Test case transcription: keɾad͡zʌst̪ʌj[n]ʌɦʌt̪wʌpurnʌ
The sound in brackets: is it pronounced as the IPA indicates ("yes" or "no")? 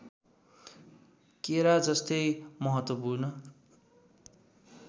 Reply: no